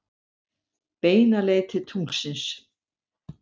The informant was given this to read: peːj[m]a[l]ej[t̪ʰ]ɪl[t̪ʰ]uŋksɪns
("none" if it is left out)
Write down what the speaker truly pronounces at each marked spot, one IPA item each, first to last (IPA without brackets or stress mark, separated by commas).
n, l, t̪ʰ, t̪ʰ